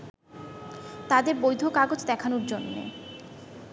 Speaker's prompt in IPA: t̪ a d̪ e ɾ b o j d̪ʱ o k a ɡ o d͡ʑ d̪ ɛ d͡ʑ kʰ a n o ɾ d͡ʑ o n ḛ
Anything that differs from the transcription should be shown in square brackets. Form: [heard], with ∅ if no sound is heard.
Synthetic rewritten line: t̪ a d̪ e ɾ b o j d̪ʱ o k a ɡ o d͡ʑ d̪ ɛ [∅] kʰ a n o ɾ d͡ʑ o [nː] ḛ